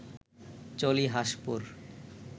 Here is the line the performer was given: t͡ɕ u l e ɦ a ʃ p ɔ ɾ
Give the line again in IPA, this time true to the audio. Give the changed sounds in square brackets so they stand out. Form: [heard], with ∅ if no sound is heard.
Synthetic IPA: t͡ɕ [o] l [i] ɦ a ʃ p [u] ɾ